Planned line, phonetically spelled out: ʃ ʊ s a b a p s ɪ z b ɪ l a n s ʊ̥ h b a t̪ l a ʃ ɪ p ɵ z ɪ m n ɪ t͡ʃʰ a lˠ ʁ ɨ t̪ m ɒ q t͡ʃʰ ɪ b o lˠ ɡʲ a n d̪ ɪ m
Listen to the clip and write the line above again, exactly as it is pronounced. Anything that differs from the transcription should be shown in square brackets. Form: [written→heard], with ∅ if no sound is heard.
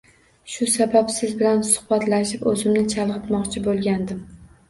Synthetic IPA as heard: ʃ ʊ s a b a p s ɪ z b ɪ l a n s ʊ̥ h b a t̪ l a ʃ ɪ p ɵ z ɪ m n ɪ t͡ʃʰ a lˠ ʁ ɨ t̪ m ɒ q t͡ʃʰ ɪ b o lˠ ɡʲ a n d̪ ɪ m